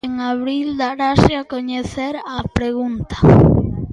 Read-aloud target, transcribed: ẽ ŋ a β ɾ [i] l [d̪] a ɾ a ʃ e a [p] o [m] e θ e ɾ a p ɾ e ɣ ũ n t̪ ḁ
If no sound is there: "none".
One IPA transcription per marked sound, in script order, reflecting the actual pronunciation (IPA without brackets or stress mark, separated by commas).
i, d̪, k, ɲ